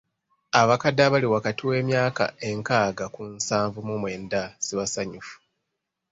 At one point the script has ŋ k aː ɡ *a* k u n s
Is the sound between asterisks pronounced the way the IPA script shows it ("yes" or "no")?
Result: yes